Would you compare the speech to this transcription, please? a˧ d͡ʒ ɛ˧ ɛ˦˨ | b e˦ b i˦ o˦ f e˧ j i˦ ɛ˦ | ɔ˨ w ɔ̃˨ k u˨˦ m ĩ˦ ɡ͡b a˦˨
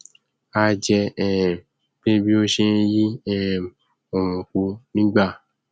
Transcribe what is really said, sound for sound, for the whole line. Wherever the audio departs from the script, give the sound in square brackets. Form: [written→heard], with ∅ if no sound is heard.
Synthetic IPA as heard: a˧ d͡ʒ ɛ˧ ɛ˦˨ | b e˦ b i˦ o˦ [f→ʃ] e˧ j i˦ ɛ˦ | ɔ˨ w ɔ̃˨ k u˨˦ [m→n] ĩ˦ ɡ͡b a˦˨

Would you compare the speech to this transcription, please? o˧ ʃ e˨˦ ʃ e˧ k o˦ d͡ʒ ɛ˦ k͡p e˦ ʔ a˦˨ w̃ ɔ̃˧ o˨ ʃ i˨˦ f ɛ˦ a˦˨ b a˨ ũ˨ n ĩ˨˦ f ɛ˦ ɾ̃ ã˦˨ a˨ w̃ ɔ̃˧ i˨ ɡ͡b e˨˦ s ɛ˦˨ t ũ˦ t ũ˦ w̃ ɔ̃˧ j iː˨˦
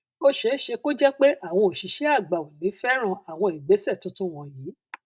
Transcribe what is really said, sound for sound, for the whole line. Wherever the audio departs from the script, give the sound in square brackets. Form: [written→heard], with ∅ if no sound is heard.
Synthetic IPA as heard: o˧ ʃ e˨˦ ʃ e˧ k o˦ d͡ʒ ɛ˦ k͡p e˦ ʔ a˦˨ w̃ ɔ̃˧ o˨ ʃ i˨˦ [f→ʃ] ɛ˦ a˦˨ [b→ɡ͡b] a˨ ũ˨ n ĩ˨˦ f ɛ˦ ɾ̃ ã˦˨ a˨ w̃ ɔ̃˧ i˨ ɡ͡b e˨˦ s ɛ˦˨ t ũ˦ t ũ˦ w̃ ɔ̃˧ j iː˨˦

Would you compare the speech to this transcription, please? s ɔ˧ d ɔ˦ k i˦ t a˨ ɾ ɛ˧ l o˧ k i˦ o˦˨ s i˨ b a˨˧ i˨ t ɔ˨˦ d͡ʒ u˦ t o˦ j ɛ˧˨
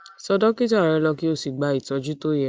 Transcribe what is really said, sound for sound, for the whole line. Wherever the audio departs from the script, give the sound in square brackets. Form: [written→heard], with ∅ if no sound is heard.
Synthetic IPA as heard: s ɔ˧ d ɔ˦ k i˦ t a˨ ɾ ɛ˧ l [o˧→ɔ˧] k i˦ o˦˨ s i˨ [b→ɡ͡b] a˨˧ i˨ t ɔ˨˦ d͡ʒ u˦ t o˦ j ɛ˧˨

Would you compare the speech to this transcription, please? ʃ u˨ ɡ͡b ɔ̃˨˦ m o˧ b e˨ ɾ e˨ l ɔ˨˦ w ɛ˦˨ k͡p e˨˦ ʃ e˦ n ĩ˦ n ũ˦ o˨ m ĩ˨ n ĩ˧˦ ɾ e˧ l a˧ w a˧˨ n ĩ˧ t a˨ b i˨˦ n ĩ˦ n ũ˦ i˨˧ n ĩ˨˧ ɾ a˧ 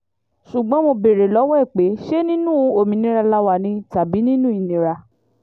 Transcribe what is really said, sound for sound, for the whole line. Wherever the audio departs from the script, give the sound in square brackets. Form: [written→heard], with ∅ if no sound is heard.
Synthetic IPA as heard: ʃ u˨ ɡ͡b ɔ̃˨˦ m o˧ b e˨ ɾ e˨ l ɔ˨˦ w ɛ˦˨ k͡p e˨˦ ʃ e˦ n ĩ˦ n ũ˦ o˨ m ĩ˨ n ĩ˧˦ ɾ [e˧→a˧] l a˧ w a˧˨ n ĩ˧ t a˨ b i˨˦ n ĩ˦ n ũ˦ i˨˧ n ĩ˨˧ ɾ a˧

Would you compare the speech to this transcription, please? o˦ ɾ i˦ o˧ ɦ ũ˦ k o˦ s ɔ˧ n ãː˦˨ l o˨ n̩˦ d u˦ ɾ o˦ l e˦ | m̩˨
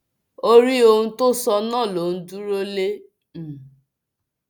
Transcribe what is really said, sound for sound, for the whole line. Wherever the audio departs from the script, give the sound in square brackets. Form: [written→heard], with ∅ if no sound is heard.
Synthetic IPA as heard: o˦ ɾ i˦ o˧ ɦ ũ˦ [k→t] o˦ s ɔ˧ n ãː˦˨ l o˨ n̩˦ d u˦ ɾ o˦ l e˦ | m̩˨

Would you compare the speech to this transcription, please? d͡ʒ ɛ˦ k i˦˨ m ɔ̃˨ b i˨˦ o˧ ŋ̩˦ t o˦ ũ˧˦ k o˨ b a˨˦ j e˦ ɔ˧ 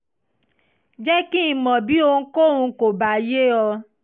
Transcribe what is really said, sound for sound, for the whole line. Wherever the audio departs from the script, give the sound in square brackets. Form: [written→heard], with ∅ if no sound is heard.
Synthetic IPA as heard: d͡ʒ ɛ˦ k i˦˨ m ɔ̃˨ b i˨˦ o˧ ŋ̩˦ [t→k] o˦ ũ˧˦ k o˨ b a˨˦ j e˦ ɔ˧

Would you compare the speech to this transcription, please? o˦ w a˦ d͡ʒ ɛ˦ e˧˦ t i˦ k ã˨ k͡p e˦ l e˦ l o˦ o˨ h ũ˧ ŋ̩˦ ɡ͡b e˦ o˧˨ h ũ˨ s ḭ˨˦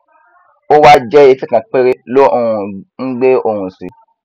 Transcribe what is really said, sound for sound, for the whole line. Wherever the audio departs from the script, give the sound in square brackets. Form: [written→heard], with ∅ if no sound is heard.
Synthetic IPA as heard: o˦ w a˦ d͡ʒ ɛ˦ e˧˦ t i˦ k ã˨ k͡p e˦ [l→ɾ] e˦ l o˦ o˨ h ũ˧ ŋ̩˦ ɡ͡b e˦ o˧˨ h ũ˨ s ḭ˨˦

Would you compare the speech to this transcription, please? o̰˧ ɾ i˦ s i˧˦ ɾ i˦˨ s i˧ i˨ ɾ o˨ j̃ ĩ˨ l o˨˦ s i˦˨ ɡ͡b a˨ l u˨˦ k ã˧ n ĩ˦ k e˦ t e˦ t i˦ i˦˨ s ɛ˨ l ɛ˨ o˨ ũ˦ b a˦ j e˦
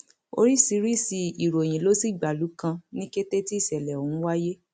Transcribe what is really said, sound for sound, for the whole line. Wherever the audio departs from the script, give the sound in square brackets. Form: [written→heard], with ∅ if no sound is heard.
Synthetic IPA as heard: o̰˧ ɾ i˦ s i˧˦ ɾ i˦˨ s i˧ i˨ ɾ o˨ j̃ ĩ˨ l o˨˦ s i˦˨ ɡ͡b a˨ l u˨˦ k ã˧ n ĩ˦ k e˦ t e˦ t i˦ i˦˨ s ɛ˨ l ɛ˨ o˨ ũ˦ [b→w] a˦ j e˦

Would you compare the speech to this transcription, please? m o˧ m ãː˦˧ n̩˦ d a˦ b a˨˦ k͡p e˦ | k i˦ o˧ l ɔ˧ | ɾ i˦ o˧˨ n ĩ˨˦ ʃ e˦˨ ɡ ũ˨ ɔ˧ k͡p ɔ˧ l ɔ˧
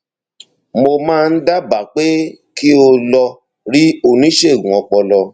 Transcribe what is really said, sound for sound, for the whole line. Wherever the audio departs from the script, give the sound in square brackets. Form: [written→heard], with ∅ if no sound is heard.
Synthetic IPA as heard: m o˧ m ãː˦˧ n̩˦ d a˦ b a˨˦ k͡p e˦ | k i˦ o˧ l ɔ˧ | ɾ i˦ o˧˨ n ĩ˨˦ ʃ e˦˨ ɡ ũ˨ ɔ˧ k͡p ɔ˧ l ɔ˧

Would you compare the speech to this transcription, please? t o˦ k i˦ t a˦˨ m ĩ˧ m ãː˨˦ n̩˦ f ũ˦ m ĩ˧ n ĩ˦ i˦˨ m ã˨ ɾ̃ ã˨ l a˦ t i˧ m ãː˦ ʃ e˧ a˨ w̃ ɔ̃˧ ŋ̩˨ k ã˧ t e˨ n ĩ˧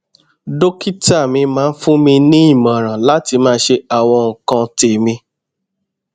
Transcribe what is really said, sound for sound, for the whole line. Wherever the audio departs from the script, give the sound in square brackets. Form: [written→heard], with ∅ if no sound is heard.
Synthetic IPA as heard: [t→d] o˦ k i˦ t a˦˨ m ĩ˧ m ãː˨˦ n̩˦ f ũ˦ m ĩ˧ n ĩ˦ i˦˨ m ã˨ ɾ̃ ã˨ l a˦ t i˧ m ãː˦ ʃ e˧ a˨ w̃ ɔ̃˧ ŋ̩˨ k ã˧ t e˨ [n→m] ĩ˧

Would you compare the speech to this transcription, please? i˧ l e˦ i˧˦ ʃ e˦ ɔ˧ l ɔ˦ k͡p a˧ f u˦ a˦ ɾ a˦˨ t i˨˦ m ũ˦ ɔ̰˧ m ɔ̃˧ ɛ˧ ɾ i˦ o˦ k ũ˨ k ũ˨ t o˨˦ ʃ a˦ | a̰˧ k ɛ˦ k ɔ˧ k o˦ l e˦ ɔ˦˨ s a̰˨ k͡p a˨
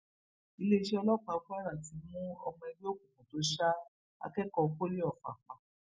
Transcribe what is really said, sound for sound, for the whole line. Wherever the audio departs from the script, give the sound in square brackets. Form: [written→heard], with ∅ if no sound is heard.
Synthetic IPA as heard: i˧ l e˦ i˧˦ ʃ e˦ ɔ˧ l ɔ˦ k͡p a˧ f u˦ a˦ ɾ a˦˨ t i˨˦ m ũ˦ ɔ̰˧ m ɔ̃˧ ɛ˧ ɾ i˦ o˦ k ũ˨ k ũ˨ t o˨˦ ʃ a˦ | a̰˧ k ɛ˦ k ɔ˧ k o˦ l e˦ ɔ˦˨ [s→f] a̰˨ k͡p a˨

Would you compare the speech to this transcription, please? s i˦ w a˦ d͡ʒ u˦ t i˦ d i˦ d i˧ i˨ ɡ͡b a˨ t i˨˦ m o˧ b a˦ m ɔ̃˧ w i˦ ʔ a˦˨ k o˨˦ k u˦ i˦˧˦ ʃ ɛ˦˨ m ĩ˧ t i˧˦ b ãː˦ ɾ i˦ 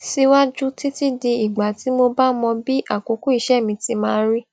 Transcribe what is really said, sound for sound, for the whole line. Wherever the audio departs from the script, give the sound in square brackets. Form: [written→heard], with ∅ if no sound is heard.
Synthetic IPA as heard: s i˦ w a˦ d͡ʒ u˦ t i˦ [d→t] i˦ d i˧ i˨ ɡ͡b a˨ t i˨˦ m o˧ b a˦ m ɔ̃˧ [w→b] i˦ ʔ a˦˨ k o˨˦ k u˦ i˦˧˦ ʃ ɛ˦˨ m ĩ˧ t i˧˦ [b→m] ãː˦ ɾ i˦

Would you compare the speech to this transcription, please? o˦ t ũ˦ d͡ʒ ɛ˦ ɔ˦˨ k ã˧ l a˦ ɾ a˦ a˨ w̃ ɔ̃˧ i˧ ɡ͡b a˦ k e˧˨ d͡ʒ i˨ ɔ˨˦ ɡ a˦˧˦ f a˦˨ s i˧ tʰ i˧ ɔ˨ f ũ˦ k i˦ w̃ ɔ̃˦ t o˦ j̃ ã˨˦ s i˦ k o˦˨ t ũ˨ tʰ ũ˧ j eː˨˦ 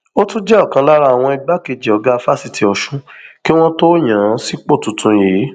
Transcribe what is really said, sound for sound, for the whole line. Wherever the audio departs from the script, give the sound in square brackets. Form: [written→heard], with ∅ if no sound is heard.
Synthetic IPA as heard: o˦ t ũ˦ d͡ʒ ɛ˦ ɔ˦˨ k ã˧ l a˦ ɾ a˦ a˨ w̃ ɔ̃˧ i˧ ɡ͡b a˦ k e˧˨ d͡ʒ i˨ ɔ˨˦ ɡ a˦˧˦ f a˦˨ s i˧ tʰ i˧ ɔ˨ [f→ʃ] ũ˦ k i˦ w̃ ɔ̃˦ t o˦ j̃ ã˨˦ s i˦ [k→k͡p] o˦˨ t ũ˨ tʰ ũ˧ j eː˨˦

